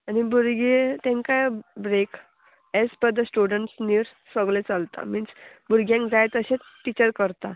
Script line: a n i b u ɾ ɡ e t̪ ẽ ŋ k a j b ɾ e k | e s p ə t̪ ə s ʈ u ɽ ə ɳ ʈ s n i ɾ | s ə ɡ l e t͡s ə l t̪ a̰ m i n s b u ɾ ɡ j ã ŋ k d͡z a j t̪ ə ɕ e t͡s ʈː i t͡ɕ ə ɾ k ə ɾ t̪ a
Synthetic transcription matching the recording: a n i b u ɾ ɡ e t̪ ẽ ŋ k a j b ɾ e k | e s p ə d̪ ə s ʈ u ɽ ə ɳ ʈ s n i ɾ | s ə ɡ l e t͡s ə l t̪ a̰ m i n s b u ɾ ɡ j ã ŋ k d͡z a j t̪ ə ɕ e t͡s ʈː i t͡ɕ ə ɾ k ə ɾ t̪ a